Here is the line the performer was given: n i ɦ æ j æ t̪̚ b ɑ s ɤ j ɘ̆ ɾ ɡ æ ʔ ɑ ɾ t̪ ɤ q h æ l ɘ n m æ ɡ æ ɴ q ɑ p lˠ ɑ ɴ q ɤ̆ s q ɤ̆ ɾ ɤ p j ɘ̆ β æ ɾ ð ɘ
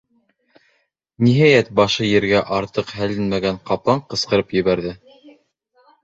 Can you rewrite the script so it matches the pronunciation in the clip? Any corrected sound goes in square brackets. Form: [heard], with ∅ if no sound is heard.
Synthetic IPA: n i ɦ æ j æ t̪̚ b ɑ [ʃ] ɤ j ɘ̆ ɾ ɡ æ ʔ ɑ ɾ t̪ ɤ q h æ l ɘ n m æ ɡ æ ɴ q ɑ p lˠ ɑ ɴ q ɤ̆ s q ɤ̆ ɾ ɤ p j ɘ̆ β æ ɾ ð ɘ